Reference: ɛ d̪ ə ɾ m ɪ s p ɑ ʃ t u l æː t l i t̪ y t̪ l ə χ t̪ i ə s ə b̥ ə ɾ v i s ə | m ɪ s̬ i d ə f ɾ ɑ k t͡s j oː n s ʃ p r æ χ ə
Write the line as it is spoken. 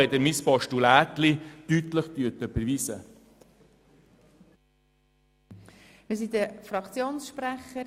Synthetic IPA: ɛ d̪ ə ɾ m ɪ s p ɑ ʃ t u l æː t l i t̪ y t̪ l ə χ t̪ y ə t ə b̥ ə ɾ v i s ə | m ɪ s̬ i d ə f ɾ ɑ k t͡s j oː n s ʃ p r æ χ ə